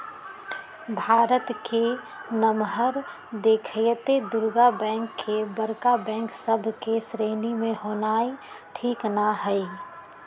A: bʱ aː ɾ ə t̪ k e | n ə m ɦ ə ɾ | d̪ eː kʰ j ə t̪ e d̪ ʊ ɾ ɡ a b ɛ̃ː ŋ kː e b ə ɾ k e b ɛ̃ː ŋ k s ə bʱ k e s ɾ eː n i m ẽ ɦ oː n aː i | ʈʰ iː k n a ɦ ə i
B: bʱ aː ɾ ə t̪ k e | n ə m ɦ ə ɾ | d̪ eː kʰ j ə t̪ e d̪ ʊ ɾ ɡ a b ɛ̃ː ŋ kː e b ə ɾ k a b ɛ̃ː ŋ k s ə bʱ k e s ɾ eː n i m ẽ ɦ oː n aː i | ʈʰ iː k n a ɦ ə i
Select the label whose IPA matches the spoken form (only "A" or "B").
B